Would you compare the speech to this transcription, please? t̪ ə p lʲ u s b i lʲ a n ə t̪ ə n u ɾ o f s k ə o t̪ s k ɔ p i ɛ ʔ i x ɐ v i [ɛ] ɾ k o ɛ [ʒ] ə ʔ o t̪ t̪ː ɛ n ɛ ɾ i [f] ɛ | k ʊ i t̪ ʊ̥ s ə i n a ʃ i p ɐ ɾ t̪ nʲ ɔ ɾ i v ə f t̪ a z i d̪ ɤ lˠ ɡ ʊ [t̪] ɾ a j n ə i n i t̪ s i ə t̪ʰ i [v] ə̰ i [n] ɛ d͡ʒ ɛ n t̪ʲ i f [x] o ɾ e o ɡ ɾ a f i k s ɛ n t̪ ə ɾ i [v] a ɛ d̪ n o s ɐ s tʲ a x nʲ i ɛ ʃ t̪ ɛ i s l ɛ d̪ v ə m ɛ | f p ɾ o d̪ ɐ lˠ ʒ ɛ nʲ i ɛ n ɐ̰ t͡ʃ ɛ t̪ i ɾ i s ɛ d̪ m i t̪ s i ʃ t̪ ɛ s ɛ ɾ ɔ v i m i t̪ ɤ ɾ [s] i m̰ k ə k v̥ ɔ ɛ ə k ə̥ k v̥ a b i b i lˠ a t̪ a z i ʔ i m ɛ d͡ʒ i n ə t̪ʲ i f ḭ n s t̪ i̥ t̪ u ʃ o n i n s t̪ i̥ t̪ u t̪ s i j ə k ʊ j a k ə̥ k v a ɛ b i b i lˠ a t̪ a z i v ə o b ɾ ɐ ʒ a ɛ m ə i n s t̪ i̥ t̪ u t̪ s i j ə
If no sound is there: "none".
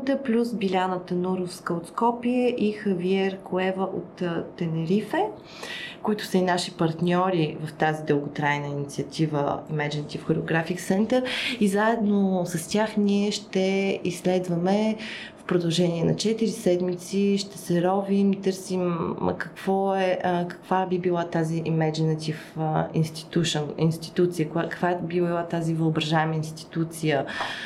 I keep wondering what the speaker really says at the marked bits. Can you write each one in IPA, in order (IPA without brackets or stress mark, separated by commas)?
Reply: ɛ, v, f, t̪, v, m, x, z, s